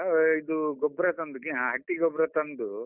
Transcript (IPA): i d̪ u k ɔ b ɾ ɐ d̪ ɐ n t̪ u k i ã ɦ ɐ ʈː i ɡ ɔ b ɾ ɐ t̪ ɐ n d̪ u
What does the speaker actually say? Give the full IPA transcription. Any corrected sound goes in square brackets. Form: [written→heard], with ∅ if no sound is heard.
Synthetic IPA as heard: i d̪ u [k→ɡ] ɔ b ɾ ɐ [d̪→t̪] ɐ n [t̪→d̪] u k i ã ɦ ɐ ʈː i ɡ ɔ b ɾ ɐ t̪ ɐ n d̪ u